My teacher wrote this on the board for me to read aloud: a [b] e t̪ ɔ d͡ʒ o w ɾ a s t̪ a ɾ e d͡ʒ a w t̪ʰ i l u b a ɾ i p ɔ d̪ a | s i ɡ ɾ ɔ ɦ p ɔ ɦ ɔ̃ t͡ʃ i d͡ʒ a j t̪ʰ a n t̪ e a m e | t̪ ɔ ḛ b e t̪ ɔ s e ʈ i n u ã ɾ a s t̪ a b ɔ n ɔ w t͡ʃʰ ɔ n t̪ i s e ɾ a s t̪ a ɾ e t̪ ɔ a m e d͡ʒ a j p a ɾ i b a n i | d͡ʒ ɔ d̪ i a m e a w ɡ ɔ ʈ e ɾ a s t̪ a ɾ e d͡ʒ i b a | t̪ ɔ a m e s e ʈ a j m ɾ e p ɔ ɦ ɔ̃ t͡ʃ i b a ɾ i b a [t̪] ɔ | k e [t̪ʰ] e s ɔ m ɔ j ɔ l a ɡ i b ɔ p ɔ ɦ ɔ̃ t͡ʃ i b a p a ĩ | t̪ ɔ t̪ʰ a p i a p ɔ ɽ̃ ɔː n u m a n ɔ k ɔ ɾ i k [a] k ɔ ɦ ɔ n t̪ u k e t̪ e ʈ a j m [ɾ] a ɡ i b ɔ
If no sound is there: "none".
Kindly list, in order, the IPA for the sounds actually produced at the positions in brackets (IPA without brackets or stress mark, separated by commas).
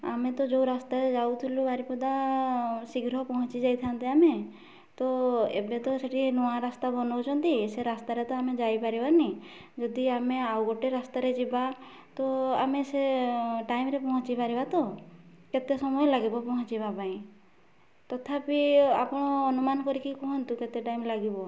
m, t̪, t̪, i, l